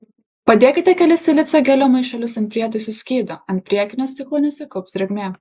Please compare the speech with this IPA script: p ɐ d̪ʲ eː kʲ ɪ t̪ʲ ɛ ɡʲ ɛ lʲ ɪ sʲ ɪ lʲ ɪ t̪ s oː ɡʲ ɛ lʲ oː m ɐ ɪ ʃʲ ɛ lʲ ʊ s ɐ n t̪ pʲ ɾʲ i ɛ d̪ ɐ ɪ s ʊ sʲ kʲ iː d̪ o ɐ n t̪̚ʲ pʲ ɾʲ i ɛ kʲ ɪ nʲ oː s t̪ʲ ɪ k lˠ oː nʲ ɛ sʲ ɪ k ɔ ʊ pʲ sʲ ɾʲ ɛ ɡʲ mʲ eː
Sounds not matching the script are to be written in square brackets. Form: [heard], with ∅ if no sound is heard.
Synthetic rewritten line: p ɐ d̪ʲ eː kʲ ɪ t̪ʲ ɛ [kʲ] ɛ lʲ ɪ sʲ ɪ lʲ ɪ t̪ s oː ɡʲ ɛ lʲ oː m ɐ ɪ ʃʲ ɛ lʲ ʊ s ɐ n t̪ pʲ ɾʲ i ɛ [t̪] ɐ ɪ s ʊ sʲ kʲ iː d̪ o ɐ n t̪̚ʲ pʲ ɾʲ i ɛ kʲ ɪ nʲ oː s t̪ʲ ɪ k lˠ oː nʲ ɛ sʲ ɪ k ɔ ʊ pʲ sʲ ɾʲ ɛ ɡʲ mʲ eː